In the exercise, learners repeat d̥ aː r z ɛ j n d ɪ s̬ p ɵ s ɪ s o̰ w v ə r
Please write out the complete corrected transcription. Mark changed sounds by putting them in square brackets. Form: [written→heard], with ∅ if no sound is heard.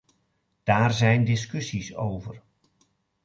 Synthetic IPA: d̥ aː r z ɛ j n d ɪ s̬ [p→k] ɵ s [ɪ→i] s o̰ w v ə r